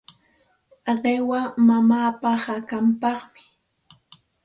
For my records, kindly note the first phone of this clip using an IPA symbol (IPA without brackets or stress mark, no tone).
ɢ